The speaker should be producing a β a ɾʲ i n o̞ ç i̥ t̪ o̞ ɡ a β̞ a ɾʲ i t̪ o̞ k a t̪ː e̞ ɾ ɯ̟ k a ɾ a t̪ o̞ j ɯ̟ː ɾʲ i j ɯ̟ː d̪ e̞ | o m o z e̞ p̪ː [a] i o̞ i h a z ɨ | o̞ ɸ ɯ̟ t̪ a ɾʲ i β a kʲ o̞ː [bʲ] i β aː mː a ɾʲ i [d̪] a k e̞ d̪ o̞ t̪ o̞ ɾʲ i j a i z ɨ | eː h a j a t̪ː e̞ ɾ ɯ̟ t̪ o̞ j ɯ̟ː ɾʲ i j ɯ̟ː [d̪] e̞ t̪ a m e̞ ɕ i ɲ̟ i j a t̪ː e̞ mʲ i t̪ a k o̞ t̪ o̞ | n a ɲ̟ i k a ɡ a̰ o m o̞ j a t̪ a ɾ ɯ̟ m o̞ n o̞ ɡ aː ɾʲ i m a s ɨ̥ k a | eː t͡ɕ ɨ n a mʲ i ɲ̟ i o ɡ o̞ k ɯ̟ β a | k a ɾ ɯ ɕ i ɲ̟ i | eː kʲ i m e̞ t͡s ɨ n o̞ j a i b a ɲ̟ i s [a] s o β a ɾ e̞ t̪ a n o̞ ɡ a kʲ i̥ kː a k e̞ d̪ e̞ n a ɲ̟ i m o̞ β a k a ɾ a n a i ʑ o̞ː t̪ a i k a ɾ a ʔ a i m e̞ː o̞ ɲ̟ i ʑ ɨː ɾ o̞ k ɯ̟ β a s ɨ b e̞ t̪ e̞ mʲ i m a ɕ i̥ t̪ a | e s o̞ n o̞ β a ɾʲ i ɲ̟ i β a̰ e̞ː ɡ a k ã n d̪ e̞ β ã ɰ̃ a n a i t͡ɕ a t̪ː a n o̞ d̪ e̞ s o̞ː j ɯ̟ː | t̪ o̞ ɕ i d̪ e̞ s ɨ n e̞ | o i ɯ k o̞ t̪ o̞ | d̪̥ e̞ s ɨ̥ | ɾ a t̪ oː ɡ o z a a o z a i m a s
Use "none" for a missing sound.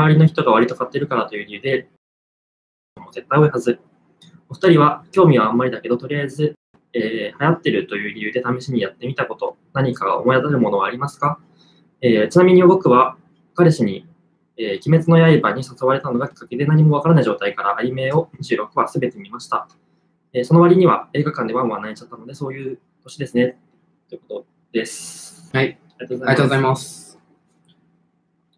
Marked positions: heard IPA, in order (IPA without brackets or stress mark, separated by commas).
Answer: a, mʲ, d̪, d̪, a